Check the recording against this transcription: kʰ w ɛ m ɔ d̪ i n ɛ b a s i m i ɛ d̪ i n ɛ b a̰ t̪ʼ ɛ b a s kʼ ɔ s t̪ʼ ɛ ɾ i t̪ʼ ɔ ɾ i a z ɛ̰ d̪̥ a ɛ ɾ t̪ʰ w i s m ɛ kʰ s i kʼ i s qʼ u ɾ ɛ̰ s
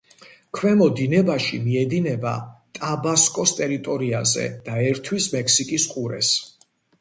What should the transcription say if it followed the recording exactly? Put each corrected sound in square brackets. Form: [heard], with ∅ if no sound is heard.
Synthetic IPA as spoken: kʰ w ɛ m ɔ d̪ i n ɛ b a [ʃ] i m i ɛ d̪ i n ɛ b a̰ t̪ʼ [a] b a s kʼ ɔ s t̪ʼ ɛ ɾ i t̪ʼ ɔ ɾ i a z ɛ̰ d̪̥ a ɛ ɾ t̪ʰ w i s m ɛ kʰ s i kʼ i s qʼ u ɾ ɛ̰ s